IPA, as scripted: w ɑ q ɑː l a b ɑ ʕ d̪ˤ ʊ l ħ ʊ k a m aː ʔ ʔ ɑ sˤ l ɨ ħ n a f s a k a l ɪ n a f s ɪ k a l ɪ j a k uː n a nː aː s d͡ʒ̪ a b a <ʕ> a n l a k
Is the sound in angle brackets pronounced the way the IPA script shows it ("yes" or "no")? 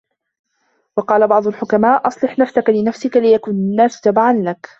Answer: yes